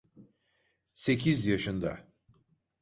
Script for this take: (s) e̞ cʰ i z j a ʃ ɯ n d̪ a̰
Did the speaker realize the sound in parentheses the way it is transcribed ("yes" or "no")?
yes